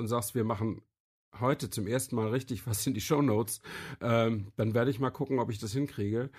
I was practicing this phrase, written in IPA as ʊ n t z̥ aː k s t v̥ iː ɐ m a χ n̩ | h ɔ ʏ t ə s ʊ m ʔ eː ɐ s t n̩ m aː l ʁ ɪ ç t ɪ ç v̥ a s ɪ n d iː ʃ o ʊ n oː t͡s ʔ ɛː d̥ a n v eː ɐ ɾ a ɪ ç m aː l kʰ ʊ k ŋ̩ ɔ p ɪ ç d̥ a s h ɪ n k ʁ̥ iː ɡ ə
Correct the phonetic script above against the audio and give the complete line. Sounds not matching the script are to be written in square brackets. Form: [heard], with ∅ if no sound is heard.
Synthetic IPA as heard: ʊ n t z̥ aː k s t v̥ iː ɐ m a χ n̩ | h ɔ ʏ t ə [t͡s] ʊ m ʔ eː ɐ s t n̩ m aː l ʁ ɪ ç t ɪ ç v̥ a s ɪ n d iː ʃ o ʊ n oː t͡s ʔ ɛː d̥ a n v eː ɐ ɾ [ə] ɪ ç m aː l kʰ ʊ k ŋ̩ ɔ p ɪ ç d̥ a s h ɪ n k ʁ̥ iː ɡ ə